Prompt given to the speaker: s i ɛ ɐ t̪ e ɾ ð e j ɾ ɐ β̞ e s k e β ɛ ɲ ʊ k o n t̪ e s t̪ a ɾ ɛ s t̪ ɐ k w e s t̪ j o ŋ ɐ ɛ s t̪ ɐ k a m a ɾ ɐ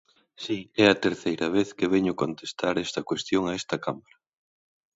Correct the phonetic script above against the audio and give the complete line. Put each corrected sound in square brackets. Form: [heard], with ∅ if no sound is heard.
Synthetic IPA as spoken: s i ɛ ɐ t̪ e ɾ [θ] e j ɾ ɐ β̞ e [θ] k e β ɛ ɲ ʊ k o n t̪ e s t̪ a ɾ ɛ s t̪ ɐ k w e s t̪ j o ŋ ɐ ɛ s t̪ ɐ k a m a ɾ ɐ